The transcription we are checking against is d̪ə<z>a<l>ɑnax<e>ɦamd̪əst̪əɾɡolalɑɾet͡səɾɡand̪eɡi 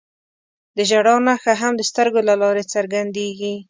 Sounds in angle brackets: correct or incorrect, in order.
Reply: incorrect: ʒ, incorrect: ɽ, incorrect: a

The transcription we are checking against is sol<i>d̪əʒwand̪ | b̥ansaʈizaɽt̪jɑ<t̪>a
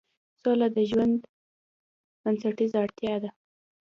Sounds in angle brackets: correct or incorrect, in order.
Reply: incorrect: a, incorrect: d̪

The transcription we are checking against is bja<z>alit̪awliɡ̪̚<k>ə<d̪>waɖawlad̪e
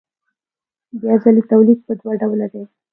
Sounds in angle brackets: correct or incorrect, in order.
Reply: correct, incorrect: p, correct

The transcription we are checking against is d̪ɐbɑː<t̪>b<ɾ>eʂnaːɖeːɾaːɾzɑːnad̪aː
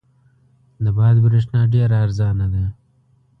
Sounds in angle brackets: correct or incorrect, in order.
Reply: incorrect: d̪, correct

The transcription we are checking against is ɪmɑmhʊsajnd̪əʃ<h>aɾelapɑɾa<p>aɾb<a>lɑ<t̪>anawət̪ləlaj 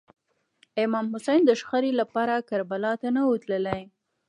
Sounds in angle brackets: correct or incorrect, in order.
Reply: incorrect: x, incorrect: k, correct, correct

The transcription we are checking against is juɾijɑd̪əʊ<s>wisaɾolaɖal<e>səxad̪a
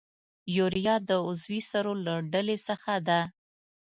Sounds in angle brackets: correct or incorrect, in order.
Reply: incorrect: z, correct

